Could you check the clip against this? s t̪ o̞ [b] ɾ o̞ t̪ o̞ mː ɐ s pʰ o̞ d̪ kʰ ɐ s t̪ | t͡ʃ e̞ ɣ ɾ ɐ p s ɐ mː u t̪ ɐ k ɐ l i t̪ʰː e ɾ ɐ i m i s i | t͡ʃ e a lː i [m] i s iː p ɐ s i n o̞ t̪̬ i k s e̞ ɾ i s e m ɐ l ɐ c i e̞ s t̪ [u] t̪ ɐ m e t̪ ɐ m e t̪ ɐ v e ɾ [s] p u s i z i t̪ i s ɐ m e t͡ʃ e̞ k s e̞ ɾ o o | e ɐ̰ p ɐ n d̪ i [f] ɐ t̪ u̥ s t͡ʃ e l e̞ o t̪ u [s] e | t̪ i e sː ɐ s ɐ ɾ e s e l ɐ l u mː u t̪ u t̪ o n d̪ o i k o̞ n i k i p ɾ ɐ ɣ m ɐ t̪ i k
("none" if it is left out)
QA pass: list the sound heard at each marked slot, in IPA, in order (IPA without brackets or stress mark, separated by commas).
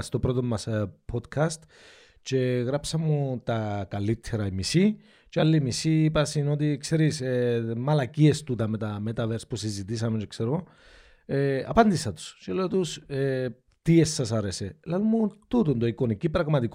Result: p, m, u, s, s, s